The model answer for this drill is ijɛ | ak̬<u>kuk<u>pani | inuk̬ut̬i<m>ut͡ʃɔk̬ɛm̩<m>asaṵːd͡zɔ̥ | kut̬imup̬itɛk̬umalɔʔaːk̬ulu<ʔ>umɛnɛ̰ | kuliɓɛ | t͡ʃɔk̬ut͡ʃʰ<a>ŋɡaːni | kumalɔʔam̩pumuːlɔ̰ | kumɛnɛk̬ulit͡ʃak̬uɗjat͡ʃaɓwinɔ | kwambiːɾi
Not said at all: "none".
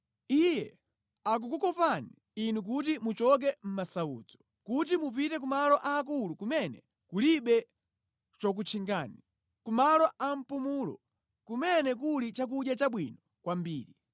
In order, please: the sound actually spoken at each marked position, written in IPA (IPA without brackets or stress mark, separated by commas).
u, ɔ, m, m, k, i